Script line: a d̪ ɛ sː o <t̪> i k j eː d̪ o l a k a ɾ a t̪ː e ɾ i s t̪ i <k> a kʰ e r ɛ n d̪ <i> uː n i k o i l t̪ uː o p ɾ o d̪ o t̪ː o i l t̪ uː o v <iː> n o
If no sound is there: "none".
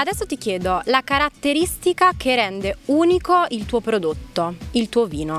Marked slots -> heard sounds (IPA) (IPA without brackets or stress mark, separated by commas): t̪, k, e, iː